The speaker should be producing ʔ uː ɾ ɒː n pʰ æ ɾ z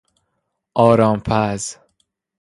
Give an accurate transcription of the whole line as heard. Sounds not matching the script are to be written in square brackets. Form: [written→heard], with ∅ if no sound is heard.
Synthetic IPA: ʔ [uː→ɒː] ɾ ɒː [n→m] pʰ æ [ɾ→∅] z